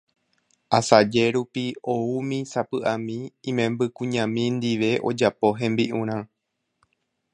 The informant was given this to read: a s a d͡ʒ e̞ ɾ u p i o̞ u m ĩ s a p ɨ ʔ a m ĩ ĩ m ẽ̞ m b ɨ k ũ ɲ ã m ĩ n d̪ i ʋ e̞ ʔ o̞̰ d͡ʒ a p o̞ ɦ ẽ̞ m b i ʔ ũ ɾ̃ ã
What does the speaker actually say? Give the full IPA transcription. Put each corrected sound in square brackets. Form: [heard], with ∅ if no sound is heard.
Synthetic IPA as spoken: a s a d͡ʒ e̞ ɾ u p i o̞ u m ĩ s a p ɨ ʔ a m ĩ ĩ m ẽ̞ m b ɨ k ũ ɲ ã m ĩ n d̪ i ʋ e̞ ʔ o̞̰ d͡ʒ a p o̞ ɦ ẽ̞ m b i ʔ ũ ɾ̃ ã